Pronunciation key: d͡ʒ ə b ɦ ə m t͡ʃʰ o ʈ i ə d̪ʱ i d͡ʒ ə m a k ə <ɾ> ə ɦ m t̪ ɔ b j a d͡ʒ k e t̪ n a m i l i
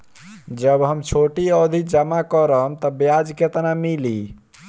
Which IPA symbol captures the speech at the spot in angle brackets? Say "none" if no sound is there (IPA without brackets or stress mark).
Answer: ɾ